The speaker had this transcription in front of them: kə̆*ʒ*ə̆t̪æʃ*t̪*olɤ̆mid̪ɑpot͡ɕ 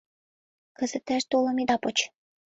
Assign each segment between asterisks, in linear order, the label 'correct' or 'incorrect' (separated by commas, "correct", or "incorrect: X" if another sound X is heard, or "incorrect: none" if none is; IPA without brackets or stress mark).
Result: incorrect: z, correct